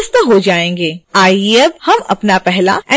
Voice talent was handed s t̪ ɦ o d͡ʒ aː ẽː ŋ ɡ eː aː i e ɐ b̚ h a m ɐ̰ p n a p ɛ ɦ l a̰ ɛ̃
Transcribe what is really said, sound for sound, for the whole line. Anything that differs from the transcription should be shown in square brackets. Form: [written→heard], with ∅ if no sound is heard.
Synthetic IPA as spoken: s t̪ ɦ o d͡ʒ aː ẽː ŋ ɡ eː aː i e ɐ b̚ h [a→ɐ] m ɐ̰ p n a p ɛ ɦ l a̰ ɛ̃